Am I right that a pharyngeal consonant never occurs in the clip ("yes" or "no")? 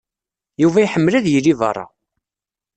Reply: no